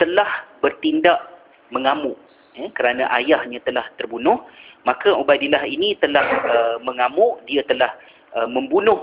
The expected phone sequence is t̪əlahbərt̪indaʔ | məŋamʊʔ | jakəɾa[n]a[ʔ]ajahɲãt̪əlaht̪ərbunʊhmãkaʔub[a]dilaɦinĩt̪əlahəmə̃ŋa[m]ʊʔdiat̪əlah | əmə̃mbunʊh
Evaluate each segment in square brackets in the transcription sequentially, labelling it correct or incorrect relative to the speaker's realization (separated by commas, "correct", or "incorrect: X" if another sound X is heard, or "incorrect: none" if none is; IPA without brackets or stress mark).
correct, correct, correct, correct